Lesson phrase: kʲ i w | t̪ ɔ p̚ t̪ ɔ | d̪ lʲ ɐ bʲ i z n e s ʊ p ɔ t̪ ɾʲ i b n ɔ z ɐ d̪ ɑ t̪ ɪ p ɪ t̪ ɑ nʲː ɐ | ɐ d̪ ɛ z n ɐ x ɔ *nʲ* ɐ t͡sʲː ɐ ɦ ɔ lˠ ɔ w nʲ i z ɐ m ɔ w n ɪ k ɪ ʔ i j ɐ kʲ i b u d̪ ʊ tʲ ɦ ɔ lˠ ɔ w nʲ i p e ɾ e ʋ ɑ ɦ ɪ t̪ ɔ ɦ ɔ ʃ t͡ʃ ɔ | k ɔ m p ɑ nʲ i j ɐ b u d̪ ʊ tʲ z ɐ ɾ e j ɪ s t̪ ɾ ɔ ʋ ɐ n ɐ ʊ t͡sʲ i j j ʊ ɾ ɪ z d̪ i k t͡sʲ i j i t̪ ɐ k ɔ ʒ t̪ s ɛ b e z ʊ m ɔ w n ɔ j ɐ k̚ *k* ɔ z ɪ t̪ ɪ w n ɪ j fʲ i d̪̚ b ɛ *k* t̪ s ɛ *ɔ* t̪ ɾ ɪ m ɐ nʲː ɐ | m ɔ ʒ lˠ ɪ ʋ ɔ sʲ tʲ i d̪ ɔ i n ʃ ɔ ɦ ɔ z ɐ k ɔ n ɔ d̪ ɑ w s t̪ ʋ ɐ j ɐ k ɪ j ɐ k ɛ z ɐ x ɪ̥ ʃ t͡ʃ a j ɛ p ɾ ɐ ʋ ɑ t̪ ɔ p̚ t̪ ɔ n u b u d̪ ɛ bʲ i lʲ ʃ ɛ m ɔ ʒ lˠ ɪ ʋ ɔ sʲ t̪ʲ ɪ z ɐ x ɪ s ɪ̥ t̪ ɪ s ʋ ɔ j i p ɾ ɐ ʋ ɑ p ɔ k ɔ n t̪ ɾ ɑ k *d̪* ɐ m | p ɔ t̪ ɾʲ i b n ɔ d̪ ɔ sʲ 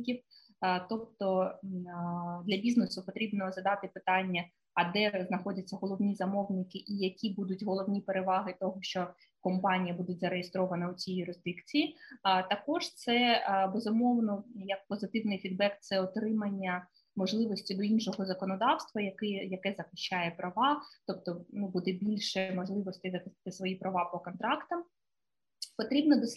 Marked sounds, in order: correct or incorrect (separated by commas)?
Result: incorrect, incorrect, correct, correct, incorrect